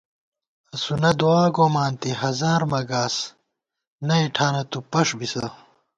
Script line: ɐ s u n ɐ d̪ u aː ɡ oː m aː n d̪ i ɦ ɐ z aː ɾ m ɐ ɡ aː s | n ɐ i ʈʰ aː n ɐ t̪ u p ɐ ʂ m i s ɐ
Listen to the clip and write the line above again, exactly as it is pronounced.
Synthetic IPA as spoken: ɐ s u n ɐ d̪ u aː ɡ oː m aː n t̪ i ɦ ɐ z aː ɾ m ɐ ɡ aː s | n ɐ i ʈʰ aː n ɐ t̪ u p ɐ ʂ b i s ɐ